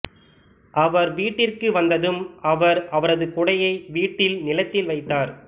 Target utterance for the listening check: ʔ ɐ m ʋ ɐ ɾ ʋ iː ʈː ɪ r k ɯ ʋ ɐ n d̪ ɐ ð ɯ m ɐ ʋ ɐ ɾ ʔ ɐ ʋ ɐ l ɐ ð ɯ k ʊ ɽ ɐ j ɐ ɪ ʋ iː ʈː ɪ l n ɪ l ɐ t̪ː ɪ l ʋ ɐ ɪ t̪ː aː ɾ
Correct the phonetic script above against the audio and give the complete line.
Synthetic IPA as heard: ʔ ɐ ʋ ɐ ɾ ʋ iː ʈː ɪ r k ɯ ʋ ɐ n d̪ ɐ ð ɯ m ɐ ʋ ɐ ɾ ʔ ɐ ʋ ɐ ɾ ɐ ð ɯ k ʊ ɽ ɐ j ɐ ɪ ʋ iː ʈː ɪ l n ɪ l ɐ t̪ː ɪ l ʋ ɐ ɪ t̪ː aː ɾ

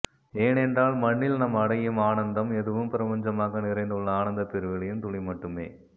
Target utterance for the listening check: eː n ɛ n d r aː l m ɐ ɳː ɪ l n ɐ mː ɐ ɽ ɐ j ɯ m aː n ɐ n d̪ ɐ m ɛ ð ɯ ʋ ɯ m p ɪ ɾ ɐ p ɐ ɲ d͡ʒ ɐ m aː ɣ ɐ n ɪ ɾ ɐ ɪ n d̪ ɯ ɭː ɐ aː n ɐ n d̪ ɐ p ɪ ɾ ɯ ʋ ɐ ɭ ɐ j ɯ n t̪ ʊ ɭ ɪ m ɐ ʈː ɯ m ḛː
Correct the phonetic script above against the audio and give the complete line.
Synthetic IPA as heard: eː n ɛ n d r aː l m ɐ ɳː ɪ l n ɐ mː ɐ ɽ ɐ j ɯ m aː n ɐ n d̪ ɐ m ɛ ð ɯ ʋ ɯ m p ɪ ɾ ɐ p ɐ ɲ d͡ʒ ɐ m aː ɣ ɐ n ɪ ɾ ɐ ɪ n d̪ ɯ ɭː ɐ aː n ɐ n d̪ ɐ p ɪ ɾ ɯ ʋ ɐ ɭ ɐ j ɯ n t̪ ʊ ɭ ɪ m ɐ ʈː ɯ m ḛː

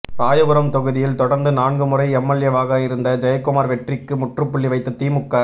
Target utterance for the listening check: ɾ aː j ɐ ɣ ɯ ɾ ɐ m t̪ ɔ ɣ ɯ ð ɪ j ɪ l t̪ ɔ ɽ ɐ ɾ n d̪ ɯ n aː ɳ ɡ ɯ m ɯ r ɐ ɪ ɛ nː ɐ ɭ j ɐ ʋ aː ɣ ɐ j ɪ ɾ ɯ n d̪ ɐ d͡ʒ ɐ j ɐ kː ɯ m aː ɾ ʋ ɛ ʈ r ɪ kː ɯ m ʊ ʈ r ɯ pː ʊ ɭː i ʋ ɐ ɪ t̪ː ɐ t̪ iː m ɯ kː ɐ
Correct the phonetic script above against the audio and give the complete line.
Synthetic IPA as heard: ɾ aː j ɐ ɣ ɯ ɾ ɐ m t̪ ɔ ɣ ɯ ð ɪ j ɪ l t̪ ɔ ɽ ɐ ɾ n d̪ ɯ n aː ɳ ɡ ɯ m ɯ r ɐ ɪ ɛ mː ɐ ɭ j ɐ ʋ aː ɣ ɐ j ɪ ɾ ɯ n d̪ ɐ d͡ʒ ɐ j ɐ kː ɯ m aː ɾ ʋ ɛ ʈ r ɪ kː ɯ m ʊ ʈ r ɯ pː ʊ ɭː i ʋ ɐ ɪ t̪ː ɐ t̪ iː m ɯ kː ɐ

